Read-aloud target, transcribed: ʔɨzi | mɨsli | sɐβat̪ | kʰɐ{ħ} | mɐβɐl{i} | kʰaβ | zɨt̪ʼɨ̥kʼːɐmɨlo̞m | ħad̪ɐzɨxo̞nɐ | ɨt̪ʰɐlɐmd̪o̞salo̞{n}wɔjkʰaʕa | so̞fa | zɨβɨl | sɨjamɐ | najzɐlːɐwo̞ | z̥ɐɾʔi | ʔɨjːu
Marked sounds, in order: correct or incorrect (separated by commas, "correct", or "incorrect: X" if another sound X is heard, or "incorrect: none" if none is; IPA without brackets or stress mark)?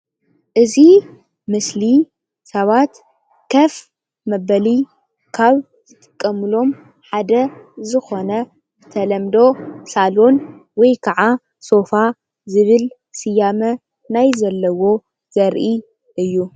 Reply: incorrect: f, correct, correct